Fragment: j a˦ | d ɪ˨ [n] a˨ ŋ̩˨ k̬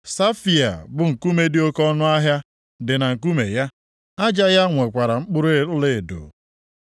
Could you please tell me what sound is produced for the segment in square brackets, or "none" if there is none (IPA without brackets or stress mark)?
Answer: n